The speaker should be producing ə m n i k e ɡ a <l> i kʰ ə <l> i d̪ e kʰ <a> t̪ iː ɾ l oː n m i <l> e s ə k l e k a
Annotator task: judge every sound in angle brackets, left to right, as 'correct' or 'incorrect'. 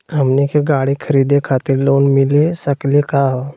incorrect, incorrect, correct, correct

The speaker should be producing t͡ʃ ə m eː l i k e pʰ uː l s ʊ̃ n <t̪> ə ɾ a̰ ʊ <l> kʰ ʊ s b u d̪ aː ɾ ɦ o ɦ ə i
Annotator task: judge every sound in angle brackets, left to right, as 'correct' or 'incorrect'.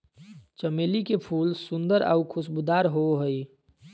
incorrect, incorrect

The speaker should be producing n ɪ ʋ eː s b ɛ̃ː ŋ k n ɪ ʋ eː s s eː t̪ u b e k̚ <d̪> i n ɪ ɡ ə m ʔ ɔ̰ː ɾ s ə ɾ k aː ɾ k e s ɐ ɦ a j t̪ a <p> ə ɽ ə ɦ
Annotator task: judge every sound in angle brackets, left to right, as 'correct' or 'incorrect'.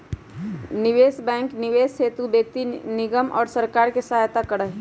incorrect, incorrect

